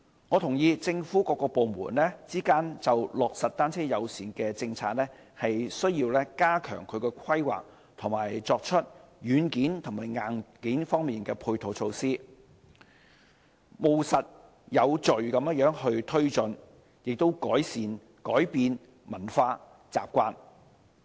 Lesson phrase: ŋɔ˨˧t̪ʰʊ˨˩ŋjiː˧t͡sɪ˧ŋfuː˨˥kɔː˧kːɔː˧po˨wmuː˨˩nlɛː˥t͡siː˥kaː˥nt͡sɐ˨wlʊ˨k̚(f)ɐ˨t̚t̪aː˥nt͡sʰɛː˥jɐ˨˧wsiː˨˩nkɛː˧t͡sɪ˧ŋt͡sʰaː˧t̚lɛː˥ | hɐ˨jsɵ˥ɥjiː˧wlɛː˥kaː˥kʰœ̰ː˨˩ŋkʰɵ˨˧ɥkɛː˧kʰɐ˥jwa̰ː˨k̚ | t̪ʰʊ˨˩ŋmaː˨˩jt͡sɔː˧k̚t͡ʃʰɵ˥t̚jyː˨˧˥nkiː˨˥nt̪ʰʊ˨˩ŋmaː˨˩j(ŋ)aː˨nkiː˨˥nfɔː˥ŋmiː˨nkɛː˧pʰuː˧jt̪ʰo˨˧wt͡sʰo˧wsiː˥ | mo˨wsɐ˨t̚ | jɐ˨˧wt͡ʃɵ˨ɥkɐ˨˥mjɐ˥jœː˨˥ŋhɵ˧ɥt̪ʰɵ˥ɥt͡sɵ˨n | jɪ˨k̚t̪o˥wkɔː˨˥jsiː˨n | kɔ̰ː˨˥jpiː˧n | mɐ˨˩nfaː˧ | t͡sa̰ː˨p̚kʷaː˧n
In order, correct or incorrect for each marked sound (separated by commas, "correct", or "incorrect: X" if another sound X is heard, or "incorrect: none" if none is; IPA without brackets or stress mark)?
incorrect: s, correct